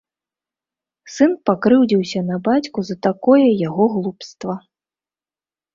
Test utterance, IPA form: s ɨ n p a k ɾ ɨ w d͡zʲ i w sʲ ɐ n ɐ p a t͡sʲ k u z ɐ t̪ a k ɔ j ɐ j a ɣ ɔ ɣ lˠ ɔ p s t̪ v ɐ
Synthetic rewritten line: s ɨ n p a k ɾ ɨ w d͡zʲ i w sʲ ɐ n ɐ b a t͡sʲ k u z ɐ t̪ a k ɔ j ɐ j a ɣ ɔ ɣ lˠ u p s t̪ v ɐ